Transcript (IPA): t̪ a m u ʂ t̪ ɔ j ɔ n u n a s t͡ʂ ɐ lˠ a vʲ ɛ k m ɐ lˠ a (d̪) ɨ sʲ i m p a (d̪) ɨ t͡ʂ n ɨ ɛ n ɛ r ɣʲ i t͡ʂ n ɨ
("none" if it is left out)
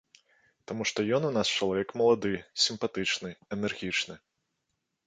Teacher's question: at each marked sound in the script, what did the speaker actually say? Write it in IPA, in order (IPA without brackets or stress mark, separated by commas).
d̪, t̪